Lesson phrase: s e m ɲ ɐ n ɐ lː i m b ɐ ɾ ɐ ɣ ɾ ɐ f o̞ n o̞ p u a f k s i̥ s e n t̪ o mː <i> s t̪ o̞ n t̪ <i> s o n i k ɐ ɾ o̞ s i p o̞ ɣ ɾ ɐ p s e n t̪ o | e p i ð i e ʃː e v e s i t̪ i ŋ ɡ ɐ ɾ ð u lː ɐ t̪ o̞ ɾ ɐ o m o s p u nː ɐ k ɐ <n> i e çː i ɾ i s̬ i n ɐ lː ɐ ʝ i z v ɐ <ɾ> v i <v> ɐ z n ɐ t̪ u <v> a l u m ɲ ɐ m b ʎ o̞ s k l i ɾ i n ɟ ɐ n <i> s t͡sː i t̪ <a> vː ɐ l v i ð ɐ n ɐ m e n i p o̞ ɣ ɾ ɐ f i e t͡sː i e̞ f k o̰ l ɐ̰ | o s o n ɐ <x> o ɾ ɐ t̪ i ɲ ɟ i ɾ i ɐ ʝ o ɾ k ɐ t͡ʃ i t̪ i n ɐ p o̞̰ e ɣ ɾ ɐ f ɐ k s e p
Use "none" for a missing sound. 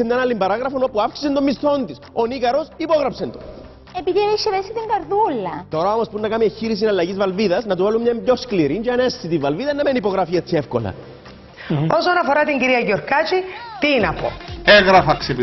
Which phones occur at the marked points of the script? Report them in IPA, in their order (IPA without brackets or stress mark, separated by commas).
i, i, m, l, ð, v, e, i, f